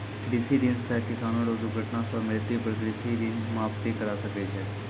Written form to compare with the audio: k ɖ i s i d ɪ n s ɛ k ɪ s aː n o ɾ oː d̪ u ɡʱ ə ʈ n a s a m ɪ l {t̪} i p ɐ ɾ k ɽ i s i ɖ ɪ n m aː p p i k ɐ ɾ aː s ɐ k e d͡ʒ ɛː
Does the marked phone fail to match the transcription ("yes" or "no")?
no